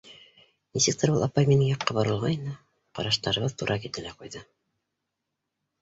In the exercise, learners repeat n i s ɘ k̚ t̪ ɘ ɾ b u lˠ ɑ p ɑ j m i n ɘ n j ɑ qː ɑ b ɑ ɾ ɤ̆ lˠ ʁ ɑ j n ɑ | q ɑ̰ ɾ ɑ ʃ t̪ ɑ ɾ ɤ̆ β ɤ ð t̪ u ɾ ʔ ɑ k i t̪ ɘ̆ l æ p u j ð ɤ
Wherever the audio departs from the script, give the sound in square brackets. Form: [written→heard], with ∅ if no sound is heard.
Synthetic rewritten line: n i s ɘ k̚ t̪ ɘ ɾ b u lˠ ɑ p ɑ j m i n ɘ [n→ŋ] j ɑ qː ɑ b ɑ ɾ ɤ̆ lˠ ʁ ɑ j n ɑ | q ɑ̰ ɾ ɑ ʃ t̪ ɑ ɾ ɤ̆ β ɤ ð t̪ u ɾ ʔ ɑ k i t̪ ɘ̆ l æ [p→q] u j ð ɤ